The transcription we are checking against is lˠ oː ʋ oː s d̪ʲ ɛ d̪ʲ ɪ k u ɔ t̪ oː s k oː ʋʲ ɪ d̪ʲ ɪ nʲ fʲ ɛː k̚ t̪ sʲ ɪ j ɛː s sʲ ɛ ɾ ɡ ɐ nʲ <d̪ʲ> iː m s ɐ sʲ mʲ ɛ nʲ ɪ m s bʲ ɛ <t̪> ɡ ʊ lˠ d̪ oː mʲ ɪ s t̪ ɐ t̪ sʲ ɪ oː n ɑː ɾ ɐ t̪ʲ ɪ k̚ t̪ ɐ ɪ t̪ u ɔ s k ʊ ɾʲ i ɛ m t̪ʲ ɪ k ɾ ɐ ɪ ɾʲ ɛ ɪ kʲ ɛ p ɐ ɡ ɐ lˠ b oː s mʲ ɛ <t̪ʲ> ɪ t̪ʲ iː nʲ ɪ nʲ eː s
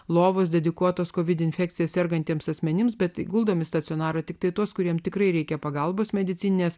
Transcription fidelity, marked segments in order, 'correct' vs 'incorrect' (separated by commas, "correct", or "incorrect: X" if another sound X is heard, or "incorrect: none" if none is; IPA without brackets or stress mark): incorrect: t̪ʲ, correct, incorrect: d̪ʲ